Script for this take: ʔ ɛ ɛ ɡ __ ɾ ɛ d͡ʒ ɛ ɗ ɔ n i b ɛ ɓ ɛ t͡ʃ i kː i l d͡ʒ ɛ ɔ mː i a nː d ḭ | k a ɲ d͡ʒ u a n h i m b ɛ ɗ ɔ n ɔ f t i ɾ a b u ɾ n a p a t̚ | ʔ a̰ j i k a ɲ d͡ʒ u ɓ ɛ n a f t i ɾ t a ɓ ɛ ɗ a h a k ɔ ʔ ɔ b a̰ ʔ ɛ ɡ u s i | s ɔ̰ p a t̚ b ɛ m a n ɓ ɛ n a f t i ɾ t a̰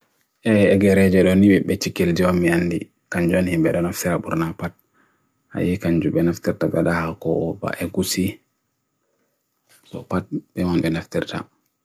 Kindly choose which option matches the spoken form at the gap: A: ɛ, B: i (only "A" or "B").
A